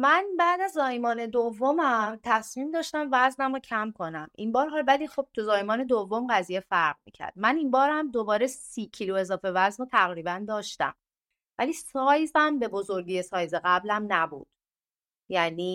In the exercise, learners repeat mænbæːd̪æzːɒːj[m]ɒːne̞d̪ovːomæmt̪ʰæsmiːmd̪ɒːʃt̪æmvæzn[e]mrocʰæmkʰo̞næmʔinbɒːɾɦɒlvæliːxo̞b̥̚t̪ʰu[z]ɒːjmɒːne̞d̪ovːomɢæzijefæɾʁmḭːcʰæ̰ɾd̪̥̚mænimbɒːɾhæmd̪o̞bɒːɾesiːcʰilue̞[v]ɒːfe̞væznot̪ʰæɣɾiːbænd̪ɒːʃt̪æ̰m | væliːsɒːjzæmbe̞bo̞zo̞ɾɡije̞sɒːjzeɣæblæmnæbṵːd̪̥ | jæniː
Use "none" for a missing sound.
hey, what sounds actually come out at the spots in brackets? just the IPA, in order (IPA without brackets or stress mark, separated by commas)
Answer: m, æ, z, z